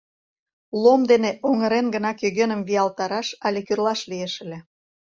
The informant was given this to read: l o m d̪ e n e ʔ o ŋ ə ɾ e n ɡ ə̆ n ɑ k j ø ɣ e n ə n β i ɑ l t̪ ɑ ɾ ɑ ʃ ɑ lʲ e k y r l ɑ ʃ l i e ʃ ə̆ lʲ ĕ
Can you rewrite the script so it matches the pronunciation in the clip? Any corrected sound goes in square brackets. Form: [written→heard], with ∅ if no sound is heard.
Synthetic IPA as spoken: l o m d̪ e n e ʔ o ŋ ə ɾ e n ɡ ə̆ n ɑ k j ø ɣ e n ə [n→m] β i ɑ l t̪ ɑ ɾ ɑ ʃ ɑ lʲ e k y r l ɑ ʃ l i e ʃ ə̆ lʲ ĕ